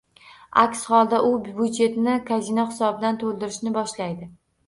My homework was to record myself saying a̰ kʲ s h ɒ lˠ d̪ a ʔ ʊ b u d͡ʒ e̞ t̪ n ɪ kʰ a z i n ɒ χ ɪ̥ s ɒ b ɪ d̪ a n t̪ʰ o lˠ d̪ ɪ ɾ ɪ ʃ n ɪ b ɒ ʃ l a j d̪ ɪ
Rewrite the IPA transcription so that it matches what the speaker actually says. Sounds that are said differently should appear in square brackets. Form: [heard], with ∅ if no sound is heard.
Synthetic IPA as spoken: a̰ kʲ s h ɒ lˠ d̪ a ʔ ʊ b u d͡ʒ e̞ t̪ n ɪ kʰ a z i n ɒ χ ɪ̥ s ɒ b ɪ d̪ a n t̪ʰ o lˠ d̪ ɪ ɾ ɪ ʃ n ɪ b ɒ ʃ l a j d̪ ɪ